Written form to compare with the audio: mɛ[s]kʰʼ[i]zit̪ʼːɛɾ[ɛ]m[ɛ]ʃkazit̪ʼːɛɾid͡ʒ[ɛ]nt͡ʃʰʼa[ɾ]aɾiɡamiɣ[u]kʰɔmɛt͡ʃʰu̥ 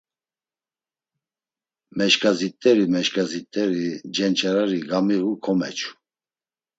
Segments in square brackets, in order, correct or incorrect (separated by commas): incorrect, incorrect, incorrect, correct, correct, correct, correct